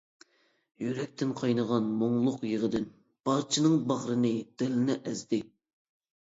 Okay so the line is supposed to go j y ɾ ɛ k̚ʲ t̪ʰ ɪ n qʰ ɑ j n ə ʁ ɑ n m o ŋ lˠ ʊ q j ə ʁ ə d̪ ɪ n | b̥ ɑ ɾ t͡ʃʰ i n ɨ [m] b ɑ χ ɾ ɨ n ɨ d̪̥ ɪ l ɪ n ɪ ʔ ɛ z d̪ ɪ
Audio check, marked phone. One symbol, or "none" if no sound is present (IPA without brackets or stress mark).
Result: ŋ